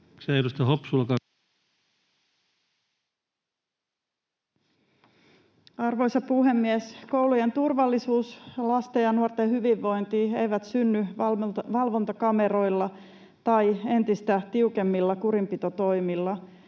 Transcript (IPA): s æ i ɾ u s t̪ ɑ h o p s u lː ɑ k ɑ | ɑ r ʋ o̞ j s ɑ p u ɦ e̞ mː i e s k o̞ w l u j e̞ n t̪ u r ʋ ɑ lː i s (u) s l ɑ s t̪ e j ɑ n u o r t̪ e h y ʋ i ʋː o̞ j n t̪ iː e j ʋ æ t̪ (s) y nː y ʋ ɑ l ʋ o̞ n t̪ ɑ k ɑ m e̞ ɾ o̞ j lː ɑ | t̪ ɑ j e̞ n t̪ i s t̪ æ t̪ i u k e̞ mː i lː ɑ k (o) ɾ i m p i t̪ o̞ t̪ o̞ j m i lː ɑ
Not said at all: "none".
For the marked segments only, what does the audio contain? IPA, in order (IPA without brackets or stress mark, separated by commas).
uː, s, u